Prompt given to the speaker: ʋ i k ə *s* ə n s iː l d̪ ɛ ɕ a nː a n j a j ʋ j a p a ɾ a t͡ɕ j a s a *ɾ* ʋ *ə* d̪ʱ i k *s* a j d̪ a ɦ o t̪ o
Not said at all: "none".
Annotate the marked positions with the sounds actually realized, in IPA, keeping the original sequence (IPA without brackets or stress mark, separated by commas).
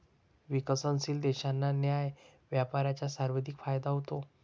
s, ɾ, ə, f